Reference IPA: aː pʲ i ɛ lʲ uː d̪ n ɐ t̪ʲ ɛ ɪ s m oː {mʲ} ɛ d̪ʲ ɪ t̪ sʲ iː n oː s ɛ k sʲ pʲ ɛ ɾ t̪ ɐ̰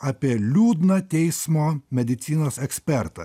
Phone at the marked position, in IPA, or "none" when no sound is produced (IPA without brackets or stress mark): mʲ